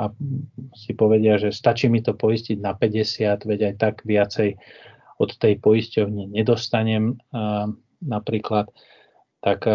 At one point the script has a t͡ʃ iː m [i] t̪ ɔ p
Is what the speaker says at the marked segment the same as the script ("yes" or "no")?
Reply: yes